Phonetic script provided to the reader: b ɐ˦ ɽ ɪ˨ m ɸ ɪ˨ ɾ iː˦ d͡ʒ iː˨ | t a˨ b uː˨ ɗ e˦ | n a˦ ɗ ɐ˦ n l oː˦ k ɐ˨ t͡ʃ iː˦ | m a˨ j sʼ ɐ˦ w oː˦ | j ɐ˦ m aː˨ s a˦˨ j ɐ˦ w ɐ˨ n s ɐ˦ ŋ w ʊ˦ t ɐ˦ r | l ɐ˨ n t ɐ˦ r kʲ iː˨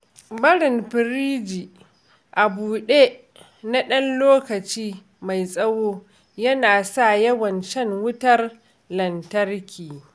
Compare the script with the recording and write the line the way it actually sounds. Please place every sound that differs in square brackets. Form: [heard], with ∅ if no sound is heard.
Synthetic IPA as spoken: b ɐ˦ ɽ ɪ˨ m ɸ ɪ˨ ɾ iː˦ d͡ʒ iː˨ | [ʔ] a˨ b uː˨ ɗ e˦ | n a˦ ɗ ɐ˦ n l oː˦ k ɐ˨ t͡ʃ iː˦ | m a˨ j sʼ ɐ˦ w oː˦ | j ɐ˦ [n] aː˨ s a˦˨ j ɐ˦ w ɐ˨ n [ʃ] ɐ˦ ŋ w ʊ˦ t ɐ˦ r | l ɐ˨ n t ɐ˦ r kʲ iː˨